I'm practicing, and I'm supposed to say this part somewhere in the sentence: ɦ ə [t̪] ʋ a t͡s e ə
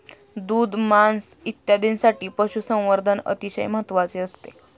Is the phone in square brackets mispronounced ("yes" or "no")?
no